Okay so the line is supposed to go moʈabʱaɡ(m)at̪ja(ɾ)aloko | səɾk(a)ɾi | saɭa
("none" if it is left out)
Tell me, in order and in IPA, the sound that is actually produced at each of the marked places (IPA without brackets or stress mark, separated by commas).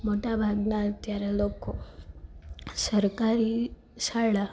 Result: n, ɾ, a